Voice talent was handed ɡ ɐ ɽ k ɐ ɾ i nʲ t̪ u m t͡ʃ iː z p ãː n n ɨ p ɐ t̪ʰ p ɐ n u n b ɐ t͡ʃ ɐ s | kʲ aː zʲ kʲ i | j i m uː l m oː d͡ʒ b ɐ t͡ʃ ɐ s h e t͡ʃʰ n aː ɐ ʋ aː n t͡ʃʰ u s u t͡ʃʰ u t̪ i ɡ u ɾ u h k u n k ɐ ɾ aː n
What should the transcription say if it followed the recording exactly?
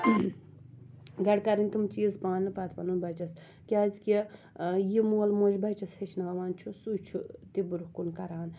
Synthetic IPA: ɡ ɐ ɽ k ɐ ɾ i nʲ t̪ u m t͡ʃ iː z p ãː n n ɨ p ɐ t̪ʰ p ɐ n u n b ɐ t͡ʃ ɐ s | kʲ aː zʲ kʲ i | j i m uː l m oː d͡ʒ b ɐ t͡ʃ ɐ s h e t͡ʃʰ n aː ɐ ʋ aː n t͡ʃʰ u s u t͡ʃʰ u t̪ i b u ɾ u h k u n k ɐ ɾ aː n

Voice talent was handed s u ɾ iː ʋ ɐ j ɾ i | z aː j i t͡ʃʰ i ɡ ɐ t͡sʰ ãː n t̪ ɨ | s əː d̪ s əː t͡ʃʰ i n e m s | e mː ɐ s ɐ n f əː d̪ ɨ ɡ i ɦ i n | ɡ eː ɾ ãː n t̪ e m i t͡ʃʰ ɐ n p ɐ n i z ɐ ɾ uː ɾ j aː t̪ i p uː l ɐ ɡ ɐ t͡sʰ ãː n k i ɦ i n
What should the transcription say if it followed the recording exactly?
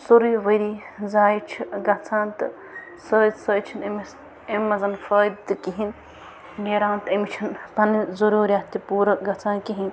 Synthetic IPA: s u ɾ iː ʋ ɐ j ɾ i | z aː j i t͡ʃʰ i ɡ ɐ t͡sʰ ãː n t̪ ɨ | s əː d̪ s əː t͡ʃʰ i n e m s | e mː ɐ z ɐ n f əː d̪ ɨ k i ɦ i n | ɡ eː ɾ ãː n t̪ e m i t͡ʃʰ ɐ n p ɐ n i z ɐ ɾ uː ɾ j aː t̪ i p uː ɾ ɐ ɡ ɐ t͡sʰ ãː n k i ɦ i n

